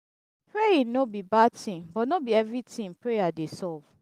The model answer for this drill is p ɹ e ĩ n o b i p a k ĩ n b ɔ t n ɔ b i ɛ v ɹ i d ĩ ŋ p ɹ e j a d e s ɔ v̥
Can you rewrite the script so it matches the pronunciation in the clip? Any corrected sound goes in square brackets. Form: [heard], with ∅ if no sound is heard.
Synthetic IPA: p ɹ e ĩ n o b i [b] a [t] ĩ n b ɔ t n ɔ b i ɛ v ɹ i [t] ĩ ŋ p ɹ e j a d e s ɔ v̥